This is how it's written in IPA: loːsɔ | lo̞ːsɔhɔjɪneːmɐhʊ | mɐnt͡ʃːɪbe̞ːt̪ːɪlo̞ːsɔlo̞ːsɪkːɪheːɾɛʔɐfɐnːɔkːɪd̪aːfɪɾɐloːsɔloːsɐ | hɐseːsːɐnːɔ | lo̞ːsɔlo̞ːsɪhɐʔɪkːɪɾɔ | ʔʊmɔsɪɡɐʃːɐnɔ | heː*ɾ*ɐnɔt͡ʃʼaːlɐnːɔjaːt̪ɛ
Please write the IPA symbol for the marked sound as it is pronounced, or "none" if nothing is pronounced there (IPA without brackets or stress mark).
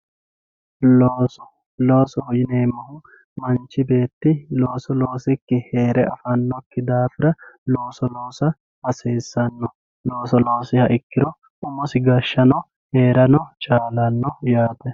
ɾ